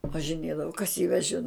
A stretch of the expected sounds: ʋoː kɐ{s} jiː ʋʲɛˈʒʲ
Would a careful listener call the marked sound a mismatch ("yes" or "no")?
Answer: no